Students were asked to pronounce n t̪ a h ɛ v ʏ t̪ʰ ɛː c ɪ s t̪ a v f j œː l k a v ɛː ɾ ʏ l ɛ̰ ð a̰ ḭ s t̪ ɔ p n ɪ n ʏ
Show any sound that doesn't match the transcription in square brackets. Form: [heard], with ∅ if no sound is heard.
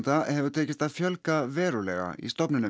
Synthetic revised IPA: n t̪ a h ɛ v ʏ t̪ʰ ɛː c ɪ s t̪ a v f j [œ] l k a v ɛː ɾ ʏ l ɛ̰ [ɣ] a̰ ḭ s t̪ ɔ p n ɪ n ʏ